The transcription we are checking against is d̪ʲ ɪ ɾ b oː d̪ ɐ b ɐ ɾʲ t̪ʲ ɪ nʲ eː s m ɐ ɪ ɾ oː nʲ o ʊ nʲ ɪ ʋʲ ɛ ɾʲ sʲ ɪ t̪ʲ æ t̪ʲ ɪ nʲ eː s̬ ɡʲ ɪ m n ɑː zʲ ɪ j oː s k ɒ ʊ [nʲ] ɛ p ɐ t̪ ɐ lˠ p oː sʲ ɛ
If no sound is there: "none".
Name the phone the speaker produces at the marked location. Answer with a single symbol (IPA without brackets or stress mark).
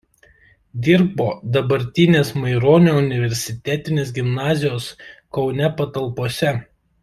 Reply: nʲ